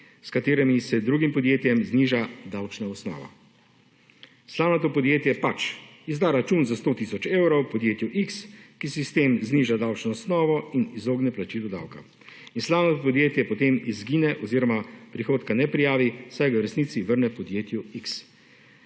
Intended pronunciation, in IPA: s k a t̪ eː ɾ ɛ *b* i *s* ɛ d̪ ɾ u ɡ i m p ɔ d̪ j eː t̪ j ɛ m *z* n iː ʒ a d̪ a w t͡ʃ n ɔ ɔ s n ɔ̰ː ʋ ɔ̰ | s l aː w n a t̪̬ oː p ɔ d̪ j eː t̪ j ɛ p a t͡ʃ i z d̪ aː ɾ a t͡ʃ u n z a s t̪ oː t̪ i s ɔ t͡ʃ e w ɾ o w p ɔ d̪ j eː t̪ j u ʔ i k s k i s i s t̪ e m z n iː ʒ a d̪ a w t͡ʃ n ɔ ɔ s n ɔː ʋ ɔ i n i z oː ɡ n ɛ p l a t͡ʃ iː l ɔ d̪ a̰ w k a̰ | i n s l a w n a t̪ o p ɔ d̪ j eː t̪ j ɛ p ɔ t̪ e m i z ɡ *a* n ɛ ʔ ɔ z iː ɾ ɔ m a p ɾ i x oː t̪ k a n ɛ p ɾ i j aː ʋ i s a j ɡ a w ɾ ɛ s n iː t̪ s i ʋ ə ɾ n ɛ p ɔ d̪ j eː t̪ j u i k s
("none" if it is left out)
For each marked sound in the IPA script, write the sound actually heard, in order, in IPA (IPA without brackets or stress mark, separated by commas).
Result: m, s, z, i